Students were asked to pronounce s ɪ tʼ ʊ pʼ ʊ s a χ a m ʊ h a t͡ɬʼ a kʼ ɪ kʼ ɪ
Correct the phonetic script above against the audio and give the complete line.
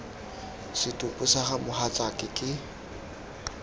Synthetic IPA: s ɪ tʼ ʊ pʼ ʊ s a χ a m ʊ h a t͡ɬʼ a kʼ ɪ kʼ ɪ